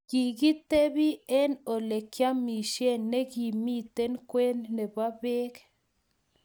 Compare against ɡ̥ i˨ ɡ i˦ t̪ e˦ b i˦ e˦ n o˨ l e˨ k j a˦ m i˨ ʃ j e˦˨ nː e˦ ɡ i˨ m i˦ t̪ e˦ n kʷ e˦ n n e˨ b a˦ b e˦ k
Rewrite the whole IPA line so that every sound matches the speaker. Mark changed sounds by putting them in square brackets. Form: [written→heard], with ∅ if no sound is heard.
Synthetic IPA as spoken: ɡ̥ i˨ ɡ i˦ t̪ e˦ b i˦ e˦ n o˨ l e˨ k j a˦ m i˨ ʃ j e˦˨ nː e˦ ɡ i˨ m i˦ t̪ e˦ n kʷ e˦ n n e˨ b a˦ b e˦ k